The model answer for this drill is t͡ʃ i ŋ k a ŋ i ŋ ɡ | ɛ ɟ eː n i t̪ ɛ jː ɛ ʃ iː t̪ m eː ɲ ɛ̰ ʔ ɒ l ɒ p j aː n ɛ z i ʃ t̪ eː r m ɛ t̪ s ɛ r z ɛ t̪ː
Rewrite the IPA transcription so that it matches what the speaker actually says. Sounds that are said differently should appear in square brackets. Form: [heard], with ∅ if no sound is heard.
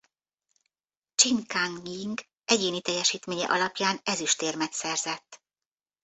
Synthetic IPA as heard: t͡ʃ i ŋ k a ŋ i ŋ ɡ | ɛ ɟ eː n i t̪ ɛ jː ɛ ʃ iː t̪ m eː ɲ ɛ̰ ʔ ɒ l ɒ p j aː n ɛ z [y] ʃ t̪ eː r m ɛ t̪ s ɛ r z ɛ t̪ː